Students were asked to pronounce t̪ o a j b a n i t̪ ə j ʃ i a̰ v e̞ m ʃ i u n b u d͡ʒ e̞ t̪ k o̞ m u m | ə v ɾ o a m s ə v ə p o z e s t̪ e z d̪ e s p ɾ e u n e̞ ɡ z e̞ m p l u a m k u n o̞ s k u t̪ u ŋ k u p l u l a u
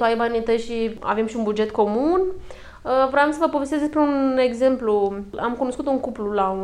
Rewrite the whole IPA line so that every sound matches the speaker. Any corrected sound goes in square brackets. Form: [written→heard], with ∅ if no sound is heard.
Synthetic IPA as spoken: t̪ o a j b a n i t̪ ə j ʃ i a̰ v e̞ m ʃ i u n b u d͡ʒ e̞ t̪ k o̞ m u [m→n] | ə v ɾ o a m s ə v ə p o [z→v] e s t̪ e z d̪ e s p ɾ e u n e̞ ɡ z e̞ m p l u a m k u n o̞ s k u t̪ u ŋ k u p l u l a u